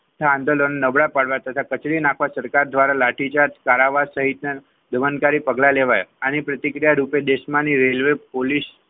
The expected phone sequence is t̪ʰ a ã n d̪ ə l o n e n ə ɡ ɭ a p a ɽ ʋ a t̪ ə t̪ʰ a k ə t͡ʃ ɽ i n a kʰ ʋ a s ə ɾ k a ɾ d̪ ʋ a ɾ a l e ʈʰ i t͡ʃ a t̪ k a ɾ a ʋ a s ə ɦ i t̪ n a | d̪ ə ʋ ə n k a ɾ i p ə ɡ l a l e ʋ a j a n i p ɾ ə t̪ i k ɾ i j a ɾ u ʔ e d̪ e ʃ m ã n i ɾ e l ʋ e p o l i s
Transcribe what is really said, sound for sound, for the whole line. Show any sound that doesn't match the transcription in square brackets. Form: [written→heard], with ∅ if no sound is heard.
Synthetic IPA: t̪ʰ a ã n d̪ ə l o n e n ə [ɡ→b] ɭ a p a ɽ ʋ a t̪ ə t̪ʰ a k ə t͡ʃ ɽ i n a kʰ ʋ a s ə ɾ k a ɾ d̪ ʋ a ɾ a l [e→a] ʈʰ i t͡ʃ a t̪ k a ɾ a ʋ a s ə ɦ i t̪ n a | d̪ ə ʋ ə n k a ɾ i p ə ɡ l a l e ʋ a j a n i p ɾ ə t̪ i k ɾ i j a ɾ u [ʔ→p] e d̪ e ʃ m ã n i ɾ e l ʋ e p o l i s